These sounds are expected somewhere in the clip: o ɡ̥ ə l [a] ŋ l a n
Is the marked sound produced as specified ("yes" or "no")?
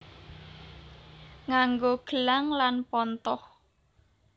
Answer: yes